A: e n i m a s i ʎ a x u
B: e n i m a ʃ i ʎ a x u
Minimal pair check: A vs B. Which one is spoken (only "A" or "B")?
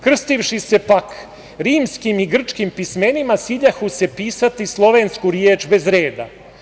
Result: A